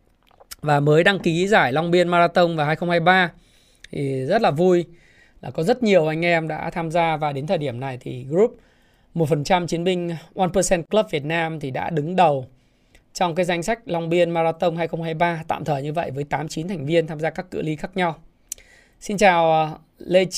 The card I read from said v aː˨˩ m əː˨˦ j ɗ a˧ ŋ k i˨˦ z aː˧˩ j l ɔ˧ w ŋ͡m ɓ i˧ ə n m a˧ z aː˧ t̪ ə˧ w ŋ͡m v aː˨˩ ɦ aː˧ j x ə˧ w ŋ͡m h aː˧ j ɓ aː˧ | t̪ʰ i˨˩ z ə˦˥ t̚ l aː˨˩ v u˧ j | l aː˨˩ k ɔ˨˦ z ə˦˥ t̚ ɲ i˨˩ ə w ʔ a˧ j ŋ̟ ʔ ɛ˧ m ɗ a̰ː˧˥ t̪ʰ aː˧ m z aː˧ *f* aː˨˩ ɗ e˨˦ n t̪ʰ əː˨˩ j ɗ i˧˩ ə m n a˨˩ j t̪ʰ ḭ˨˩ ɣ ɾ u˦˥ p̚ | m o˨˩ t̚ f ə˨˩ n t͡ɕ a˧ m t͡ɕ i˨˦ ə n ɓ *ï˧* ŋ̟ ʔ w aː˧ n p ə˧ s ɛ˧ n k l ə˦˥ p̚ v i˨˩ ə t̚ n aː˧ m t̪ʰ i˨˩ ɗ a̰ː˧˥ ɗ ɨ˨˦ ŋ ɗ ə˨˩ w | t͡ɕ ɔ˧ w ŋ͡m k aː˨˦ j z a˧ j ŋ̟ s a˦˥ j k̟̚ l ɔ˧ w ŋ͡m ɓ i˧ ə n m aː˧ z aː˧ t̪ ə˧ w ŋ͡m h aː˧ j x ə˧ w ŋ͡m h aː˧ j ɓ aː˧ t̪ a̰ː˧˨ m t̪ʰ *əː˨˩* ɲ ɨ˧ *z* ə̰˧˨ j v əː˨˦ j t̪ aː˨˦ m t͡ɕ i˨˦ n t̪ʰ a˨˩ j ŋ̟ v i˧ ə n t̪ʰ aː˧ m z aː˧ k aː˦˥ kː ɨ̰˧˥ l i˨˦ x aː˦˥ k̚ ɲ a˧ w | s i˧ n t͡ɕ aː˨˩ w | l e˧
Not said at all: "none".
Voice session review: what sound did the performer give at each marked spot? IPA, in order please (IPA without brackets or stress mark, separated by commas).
v, ï˧, əː˨˩, v